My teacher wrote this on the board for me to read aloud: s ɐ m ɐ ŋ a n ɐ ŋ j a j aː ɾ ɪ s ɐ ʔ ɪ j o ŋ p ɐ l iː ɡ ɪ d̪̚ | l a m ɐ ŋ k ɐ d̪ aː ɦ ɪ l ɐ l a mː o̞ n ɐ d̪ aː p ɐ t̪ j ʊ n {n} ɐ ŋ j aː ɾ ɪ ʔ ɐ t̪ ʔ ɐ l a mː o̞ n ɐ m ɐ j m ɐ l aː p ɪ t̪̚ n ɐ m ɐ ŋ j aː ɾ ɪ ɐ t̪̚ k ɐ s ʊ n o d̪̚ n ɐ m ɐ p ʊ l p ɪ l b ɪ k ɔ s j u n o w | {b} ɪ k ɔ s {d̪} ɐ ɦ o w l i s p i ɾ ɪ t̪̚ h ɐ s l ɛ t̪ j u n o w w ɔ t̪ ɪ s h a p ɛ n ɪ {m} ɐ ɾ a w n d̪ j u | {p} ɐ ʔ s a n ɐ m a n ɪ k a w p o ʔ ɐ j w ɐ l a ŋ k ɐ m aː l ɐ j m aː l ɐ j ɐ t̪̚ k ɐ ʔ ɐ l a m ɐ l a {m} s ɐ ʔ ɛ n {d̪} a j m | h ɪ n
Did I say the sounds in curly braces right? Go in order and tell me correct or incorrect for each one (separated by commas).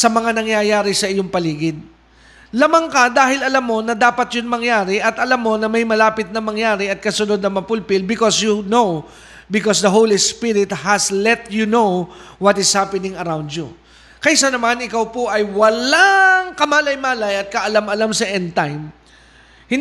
incorrect, correct, correct, incorrect, incorrect, correct, incorrect